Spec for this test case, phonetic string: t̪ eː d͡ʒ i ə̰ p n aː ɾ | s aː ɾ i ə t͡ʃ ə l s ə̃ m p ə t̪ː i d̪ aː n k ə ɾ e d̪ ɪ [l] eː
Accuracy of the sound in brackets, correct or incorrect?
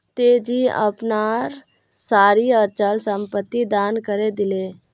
correct